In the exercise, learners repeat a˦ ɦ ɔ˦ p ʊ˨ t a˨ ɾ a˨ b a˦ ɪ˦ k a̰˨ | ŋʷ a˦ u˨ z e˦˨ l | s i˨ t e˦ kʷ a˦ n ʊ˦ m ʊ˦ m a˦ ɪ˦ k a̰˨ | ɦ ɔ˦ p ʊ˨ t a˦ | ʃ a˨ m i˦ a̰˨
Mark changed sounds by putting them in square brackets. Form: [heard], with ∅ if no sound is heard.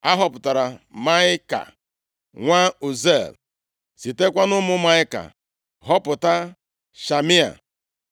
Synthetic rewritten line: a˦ ɦ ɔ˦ p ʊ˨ t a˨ ɾ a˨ [m] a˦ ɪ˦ k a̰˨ | ŋʷ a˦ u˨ z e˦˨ l | s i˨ t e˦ kʷ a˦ n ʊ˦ m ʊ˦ m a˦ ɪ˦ k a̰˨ | ɦ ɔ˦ p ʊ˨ t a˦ | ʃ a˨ m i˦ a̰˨